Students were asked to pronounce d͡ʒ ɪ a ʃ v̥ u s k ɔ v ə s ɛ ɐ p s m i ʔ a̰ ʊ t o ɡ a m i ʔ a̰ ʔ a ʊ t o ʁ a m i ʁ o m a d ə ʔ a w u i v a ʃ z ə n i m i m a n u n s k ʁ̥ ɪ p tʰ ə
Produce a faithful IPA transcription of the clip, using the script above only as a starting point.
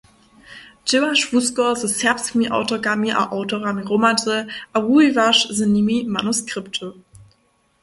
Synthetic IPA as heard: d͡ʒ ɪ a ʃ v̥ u s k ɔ z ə s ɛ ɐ p s m i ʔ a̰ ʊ t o ɡ a m i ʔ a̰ ʔ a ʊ t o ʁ a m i ʁ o m a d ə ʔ a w u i v a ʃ z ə n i m i m a n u s k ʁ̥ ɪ p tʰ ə